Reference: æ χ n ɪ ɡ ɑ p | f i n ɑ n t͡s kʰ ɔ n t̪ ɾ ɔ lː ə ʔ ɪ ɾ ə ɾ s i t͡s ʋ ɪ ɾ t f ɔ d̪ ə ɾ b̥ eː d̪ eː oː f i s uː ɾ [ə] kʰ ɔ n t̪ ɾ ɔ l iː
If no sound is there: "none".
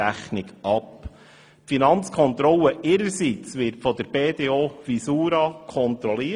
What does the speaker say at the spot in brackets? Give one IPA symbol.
ɑ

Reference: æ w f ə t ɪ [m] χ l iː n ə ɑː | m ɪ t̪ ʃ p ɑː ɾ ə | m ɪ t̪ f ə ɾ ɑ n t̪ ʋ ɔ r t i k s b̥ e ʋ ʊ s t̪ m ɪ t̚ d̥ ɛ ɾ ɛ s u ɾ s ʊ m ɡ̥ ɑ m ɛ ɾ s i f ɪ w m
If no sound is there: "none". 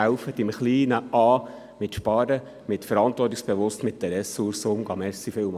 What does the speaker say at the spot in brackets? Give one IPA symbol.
m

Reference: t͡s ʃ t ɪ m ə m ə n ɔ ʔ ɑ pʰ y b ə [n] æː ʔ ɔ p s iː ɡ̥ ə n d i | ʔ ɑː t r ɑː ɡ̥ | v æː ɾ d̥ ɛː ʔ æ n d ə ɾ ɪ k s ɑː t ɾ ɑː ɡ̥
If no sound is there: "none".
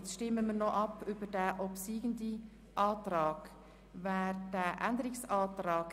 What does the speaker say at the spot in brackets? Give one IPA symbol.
d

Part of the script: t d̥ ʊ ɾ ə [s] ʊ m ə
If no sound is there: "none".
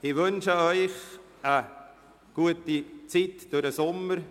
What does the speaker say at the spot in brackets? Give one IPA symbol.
s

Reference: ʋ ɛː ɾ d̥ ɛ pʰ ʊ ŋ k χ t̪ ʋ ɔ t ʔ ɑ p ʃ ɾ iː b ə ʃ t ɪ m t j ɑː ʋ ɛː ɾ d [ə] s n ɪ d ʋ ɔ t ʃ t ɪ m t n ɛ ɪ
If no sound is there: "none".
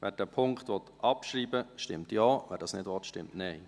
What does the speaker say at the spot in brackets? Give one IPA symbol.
ɑ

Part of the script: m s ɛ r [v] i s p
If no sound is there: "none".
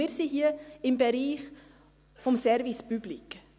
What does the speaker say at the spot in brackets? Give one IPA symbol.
v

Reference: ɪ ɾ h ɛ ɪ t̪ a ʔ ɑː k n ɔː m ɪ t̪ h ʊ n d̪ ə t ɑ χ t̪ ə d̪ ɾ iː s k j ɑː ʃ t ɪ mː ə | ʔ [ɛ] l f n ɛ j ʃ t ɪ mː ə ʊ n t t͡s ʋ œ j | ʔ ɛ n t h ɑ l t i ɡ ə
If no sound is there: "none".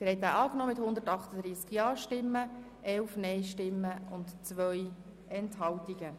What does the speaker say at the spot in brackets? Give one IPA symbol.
ɛ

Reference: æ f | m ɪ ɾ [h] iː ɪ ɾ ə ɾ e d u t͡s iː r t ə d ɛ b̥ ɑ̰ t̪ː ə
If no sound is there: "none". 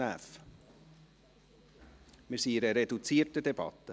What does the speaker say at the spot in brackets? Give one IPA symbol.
s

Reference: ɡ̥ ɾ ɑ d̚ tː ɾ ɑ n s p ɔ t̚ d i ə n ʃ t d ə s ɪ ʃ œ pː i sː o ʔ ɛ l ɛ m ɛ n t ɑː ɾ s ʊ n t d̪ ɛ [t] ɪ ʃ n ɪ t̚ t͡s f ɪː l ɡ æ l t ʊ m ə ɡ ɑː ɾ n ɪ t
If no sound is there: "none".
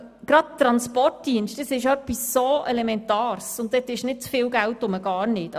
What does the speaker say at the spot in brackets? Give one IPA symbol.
t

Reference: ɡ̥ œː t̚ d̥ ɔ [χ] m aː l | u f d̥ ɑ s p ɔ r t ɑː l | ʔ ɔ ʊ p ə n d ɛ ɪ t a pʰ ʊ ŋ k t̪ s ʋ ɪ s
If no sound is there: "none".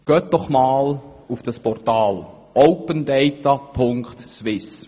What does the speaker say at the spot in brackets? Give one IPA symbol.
χ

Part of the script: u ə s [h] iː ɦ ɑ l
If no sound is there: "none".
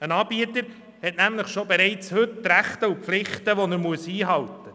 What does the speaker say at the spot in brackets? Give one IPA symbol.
h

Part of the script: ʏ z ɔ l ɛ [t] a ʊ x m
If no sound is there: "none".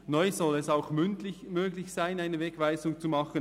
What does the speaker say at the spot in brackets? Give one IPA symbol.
s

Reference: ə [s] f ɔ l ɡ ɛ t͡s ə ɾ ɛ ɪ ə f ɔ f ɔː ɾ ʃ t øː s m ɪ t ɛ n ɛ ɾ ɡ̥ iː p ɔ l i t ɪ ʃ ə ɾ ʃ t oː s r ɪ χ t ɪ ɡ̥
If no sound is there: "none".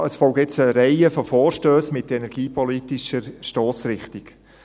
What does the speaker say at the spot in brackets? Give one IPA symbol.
s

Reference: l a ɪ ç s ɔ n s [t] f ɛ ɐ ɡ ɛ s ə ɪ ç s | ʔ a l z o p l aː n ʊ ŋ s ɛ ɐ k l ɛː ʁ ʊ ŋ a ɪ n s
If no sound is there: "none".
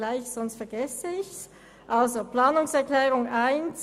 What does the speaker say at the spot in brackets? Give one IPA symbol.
t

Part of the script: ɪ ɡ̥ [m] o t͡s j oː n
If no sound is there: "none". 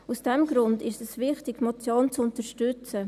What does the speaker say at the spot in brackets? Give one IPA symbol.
m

